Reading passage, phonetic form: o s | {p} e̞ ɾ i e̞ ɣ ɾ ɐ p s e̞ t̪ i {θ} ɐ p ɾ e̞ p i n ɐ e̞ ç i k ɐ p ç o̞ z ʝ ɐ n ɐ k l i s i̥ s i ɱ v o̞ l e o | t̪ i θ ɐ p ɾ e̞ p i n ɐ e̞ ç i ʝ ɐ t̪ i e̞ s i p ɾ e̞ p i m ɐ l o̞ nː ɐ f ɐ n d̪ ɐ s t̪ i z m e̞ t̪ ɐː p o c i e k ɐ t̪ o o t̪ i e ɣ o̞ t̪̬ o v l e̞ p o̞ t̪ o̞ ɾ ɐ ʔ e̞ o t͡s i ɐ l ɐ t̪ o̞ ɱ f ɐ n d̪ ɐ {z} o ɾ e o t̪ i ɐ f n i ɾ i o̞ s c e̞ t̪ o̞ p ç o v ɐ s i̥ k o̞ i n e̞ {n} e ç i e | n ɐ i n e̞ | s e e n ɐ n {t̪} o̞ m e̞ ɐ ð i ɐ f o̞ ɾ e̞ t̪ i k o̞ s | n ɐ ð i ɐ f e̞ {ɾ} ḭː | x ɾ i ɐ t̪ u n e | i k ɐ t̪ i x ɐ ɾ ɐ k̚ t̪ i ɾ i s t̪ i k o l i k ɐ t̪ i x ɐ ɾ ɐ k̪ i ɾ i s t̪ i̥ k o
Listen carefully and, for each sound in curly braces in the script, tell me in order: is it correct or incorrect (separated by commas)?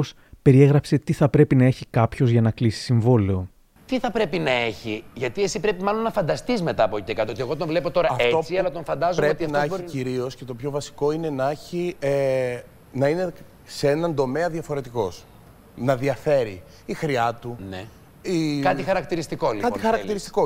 correct, correct, correct, correct, incorrect, correct